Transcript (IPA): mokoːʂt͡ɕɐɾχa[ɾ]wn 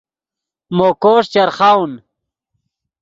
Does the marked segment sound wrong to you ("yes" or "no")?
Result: yes